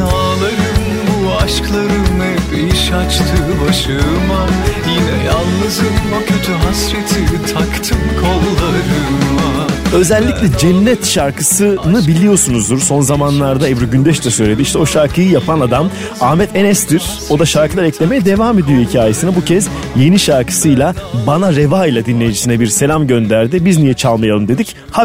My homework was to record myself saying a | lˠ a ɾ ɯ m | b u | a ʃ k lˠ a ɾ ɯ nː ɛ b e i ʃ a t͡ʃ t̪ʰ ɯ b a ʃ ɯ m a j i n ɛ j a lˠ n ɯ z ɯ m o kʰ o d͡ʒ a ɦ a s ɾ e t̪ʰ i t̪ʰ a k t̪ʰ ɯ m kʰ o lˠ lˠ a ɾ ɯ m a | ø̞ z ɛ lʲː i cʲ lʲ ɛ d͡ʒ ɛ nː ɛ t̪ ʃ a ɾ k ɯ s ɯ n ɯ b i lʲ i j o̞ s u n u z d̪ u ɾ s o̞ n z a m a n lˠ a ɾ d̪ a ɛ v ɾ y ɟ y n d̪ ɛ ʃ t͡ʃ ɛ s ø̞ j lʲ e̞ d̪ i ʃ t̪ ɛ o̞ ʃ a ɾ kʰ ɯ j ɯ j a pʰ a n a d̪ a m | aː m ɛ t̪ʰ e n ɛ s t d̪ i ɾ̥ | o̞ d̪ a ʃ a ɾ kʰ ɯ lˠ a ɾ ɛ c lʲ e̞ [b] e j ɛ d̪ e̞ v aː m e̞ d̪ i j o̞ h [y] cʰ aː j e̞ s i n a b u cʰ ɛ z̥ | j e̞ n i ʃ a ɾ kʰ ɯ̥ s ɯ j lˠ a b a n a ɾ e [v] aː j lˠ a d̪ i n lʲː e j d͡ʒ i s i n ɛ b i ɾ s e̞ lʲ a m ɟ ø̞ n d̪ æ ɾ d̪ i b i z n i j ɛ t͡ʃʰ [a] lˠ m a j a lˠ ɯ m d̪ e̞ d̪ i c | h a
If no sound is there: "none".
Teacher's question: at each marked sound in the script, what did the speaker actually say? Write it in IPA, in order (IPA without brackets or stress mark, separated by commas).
m, i, v, a